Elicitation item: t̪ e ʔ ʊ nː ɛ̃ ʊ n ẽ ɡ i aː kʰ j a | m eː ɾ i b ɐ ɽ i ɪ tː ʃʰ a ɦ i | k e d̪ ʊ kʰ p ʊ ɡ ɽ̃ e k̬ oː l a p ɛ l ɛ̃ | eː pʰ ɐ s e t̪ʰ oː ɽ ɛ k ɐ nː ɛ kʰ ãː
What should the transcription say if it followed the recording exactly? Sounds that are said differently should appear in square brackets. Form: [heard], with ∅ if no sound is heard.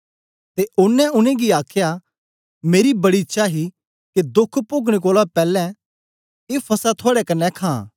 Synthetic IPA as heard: t̪ e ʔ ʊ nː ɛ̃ ʊ n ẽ ɡ i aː kʰ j a | m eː ɾ i b ɐ ɽ i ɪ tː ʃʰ a ɦ i | k e d̪ ʊ kʰ p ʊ ɡ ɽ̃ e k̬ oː l a p [ɛː] l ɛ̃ | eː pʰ ɐ s [a] t̪ʰ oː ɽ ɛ k ɐ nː ɛ kʰ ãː